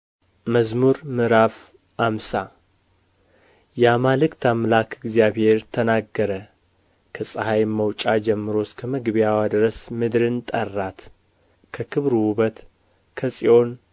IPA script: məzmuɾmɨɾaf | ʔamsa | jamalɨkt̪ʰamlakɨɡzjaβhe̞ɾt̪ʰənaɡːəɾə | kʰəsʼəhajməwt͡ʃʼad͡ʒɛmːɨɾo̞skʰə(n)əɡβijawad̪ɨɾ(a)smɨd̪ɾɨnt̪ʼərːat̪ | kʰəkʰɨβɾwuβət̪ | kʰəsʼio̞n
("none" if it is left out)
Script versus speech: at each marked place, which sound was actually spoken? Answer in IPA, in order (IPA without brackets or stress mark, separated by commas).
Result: m, ə